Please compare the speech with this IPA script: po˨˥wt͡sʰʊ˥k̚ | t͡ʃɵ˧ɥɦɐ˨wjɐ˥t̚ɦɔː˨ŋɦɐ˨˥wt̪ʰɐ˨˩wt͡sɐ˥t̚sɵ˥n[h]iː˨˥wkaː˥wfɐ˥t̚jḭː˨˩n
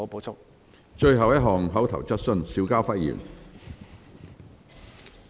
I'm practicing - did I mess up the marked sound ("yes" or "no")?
yes